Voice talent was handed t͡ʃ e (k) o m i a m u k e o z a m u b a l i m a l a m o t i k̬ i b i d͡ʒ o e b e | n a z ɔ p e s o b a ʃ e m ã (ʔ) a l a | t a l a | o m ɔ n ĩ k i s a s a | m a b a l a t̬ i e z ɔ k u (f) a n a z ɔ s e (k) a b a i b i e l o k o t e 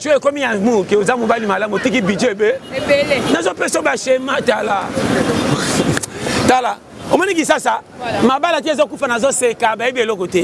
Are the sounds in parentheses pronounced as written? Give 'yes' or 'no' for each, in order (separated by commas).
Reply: yes, no, yes, yes